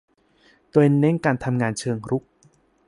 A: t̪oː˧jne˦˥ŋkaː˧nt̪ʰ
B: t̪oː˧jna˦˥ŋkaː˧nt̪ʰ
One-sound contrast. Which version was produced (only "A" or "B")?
A